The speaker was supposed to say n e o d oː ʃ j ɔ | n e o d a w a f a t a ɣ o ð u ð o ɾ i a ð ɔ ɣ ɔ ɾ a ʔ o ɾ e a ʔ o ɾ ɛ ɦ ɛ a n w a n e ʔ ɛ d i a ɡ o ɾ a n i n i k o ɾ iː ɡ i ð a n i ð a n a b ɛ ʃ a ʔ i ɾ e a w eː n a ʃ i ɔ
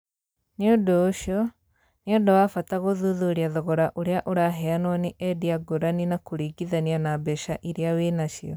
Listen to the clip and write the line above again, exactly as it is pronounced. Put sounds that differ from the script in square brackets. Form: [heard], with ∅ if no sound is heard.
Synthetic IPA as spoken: n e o d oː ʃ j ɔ | n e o d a w a f a t a ɣ o ð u ð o ɾ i a ð ɔ ɣ ɔ ɾ a ʔ o ɾ e a ʔ o ɾ [a] ɦ ɛ a n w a n e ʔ ɛ d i a ɡ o ɾ a n i n [a] k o ɾ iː ɡ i ð a n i [∅] a n a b ɛ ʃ a ʔ i ɾ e a w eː n a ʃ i ɔ